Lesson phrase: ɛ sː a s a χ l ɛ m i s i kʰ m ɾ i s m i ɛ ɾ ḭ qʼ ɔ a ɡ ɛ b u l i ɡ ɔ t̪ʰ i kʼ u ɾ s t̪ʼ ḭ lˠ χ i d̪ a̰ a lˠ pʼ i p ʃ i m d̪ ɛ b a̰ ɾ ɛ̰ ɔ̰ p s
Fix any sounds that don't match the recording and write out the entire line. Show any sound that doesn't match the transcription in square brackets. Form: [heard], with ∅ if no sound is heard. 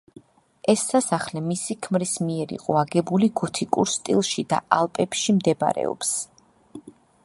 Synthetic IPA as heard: ɛ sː a s a χ l ɛ m i s i kʰ m ɾ i s m i ɛ ɾ ḭ qʼ ɔ a ɡ ɛ b u l i ɡ ɔ t̪ʰ i kʼ u ɾ s t̪ʼ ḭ lˠ [ʃ] i d̪ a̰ a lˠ pʼ [ɛ] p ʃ i m d̪ ɛ b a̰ ɾ ɛ̰ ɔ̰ p s

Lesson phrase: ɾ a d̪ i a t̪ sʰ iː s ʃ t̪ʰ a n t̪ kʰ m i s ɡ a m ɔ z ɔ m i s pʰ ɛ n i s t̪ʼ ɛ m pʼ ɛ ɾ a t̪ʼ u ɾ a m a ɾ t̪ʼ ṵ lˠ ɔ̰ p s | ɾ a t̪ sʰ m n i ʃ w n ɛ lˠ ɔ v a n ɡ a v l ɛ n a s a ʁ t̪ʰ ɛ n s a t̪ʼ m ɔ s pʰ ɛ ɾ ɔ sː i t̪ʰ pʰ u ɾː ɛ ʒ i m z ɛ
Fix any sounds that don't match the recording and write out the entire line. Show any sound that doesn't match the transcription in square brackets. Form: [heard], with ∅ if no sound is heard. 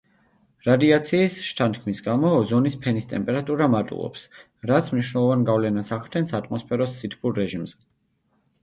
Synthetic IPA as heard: ɾ a d̪ i a t̪ sʰ iː s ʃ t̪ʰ a n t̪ kʰ m i s ɡ a m ɔ z ɔ [n] i s pʰ ɛ n i s t̪ʼ ɛ m pʼ ɛ ɾ a t̪ʼ u ɾ a m a ɾ t̪ʼ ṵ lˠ ɔ̰ p s | ɾ a t̪ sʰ m n i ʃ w n ɛ lˠ ɔ v a n ɡ a v l ɛ n a s a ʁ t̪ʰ ɛ n s a t̪ʼ m ɔ s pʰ ɛ ɾ ɔ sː i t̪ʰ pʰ u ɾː ɛ ʒ i m z ɛ

